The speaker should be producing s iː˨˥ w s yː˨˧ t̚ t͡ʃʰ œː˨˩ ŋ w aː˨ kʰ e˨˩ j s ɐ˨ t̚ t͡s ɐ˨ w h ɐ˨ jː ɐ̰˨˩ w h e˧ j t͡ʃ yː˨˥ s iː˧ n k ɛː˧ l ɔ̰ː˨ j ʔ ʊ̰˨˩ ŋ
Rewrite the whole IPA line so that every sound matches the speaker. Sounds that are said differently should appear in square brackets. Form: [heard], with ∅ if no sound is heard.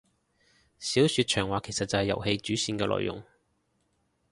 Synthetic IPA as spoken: s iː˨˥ w s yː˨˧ t̚ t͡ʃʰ œː˨˩ ŋ w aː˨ kʰ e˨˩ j s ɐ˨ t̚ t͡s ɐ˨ w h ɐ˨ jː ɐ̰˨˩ w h e˧ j t͡ʃ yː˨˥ s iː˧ n k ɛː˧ l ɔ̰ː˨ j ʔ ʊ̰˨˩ ŋ